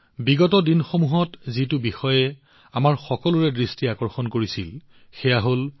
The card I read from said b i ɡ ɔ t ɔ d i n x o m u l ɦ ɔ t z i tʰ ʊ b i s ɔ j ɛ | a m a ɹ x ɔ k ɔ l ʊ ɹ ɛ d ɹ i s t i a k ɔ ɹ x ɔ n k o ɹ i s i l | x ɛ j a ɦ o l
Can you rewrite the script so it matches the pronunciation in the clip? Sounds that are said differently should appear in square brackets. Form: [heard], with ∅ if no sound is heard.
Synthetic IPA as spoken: b i ɡ ɔ t ɔ d i n x o m u [∅] ɦ ɔ t z i [t] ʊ b i [x] ɔ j ɛ | a m a ɹ x ɔ k ɔ l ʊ ɹ ɛ d ɹ i s t i a k ɔ ɹ x ɔ n k o ɹ i s i l | x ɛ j a ɦ o l